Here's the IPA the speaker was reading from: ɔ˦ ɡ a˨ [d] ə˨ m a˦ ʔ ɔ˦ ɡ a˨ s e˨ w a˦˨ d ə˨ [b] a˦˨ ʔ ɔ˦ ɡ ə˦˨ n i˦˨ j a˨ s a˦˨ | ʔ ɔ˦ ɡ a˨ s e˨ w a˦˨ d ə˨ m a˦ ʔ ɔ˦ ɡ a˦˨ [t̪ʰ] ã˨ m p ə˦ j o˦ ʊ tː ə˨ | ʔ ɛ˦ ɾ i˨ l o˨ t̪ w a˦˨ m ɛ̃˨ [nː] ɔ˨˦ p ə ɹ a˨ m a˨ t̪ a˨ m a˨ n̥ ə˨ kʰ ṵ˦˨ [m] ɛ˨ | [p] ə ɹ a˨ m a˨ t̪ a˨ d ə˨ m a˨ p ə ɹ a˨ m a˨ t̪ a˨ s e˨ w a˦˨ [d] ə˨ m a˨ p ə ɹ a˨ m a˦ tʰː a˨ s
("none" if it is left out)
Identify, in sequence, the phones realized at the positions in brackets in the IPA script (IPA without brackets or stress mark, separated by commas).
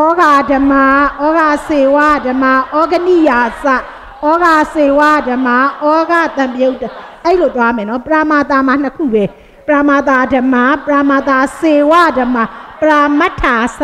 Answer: d, m, t̪, n, b, p, d